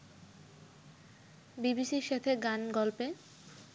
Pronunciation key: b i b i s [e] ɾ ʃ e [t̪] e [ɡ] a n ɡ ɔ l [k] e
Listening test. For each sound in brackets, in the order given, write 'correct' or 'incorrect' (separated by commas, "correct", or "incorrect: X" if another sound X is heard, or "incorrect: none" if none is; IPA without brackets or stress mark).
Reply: incorrect: i, incorrect: t̪ʰ, correct, incorrect: p